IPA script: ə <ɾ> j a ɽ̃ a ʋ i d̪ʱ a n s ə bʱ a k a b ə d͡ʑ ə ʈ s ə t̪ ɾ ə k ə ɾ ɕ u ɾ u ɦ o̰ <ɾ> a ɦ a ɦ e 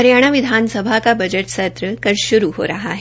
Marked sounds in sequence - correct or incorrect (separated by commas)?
correct, correct